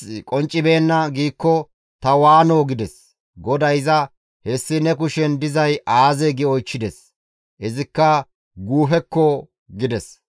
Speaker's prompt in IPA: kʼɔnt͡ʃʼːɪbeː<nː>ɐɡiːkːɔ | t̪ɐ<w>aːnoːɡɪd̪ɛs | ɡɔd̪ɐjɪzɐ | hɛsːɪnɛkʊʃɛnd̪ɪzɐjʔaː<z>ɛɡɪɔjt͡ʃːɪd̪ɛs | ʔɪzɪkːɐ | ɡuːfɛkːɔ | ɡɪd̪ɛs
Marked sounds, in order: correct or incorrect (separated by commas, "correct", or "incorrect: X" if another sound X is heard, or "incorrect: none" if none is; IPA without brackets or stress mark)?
correct, correct, correct